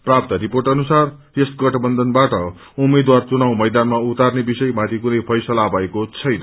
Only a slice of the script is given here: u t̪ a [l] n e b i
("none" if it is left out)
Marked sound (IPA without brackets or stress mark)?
r